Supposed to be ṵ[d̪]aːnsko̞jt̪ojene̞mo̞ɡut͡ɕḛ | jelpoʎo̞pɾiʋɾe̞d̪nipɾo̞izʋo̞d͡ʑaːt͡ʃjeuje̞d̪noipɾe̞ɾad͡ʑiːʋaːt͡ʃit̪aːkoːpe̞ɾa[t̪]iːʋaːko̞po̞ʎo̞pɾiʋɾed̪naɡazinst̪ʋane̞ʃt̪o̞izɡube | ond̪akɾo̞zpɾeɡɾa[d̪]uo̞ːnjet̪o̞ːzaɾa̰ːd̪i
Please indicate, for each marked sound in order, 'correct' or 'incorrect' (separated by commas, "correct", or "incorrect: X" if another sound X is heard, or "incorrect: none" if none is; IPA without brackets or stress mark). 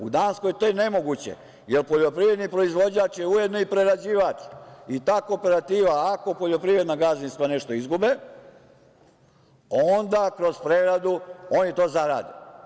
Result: correct, correct, correct